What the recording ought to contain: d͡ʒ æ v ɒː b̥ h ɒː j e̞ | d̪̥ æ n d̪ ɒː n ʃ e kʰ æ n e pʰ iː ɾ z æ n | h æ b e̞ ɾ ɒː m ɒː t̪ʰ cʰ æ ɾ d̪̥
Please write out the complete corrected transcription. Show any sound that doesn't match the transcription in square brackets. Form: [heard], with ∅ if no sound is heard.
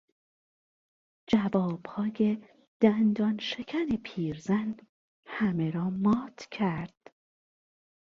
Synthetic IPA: d͡ʒ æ v ɒː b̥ h ɒː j e̞ | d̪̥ æ n d̪ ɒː n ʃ e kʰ æ n e pʰ iː ɾ z æ n | h æ [m] e̞ ɾ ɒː m ɒː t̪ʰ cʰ æ ɾ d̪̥